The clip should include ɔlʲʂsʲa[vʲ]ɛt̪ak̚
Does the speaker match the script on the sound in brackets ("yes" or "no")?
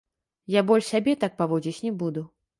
no